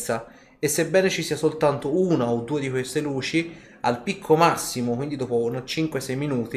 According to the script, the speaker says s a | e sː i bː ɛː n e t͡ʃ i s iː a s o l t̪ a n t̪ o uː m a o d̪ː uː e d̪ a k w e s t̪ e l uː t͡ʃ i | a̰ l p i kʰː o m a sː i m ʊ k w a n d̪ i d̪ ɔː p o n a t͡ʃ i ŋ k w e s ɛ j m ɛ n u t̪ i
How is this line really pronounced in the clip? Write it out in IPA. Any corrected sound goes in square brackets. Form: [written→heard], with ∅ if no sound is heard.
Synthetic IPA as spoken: s a | e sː [i→e] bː ɛː n e t͡ʃ i s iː a s o l t̪ a n t̪ o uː [m→n] a o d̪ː uː e d̪ [a→i] k w e s t̪ e l uː t͡ʃ i | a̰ l p i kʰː o m a sː i m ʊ k w [a→i] n d̪ i d̪ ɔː p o n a t͡ʃ i ŋ k w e s ɛ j m [ɛ→i] n [u→uː] t̪ i